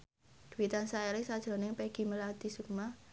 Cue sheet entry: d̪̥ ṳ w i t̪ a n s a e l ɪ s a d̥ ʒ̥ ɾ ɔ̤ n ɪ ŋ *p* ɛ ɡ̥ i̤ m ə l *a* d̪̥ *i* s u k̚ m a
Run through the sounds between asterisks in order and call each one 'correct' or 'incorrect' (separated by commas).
correct, correct, correct